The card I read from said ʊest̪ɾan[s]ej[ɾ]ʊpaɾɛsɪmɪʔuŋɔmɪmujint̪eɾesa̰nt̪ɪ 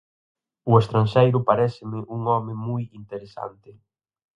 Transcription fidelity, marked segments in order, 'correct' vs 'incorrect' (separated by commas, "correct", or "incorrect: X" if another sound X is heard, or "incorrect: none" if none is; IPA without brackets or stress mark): incorrect: ʃ, correct